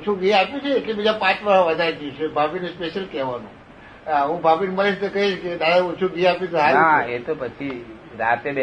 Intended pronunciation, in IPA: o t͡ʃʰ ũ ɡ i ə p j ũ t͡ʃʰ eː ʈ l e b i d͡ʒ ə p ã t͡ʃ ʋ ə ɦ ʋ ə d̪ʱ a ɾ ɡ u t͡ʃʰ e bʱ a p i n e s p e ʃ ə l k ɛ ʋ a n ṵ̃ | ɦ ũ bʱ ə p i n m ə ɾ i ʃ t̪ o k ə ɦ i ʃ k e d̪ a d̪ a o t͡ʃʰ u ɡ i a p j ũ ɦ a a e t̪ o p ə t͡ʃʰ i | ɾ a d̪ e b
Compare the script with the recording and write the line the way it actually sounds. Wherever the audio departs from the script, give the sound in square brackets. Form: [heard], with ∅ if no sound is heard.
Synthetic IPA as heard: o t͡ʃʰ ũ ɡ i [a] p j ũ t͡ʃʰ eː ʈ l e b i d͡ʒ [a] p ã t͡ʃ ʋ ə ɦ ʋ ə d̪ʱ a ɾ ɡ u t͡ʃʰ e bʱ a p i n e s p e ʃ ə l k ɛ ʋ a n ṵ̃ | ɦ ũ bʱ [a] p i n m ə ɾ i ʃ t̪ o k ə ɦ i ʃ k e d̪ a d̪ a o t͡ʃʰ u ɡ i a p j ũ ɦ a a e t̪ o p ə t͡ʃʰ i | ɾ a [t̪] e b